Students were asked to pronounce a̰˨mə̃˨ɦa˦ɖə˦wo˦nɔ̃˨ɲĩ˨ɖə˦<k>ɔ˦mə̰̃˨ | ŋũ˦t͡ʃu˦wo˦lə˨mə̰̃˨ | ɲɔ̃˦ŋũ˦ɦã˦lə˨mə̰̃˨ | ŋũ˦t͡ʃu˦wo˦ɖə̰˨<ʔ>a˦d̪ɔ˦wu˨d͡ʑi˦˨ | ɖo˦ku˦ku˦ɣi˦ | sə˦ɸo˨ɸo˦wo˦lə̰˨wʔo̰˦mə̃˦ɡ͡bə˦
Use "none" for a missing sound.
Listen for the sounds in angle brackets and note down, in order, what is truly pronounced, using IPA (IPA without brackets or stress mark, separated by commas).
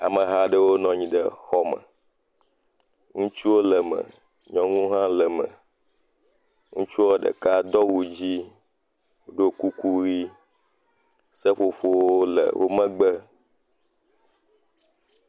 x, k